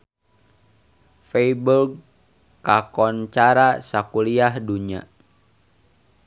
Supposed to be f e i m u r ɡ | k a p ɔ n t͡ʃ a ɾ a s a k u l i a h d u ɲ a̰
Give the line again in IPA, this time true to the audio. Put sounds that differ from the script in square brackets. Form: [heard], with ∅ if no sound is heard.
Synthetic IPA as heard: f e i [b] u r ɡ | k a [k] ɔ n t͡ʃ a ɾ a s a k u l i a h d u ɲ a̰